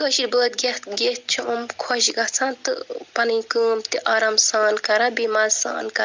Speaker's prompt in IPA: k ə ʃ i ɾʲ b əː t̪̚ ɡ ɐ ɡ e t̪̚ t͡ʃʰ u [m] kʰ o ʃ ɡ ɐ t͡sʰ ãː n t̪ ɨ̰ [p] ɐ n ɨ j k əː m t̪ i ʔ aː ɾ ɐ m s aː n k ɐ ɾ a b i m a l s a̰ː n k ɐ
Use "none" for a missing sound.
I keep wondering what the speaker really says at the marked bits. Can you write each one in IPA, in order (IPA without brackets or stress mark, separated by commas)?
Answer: m, p